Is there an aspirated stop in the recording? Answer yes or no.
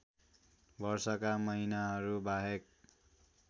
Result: no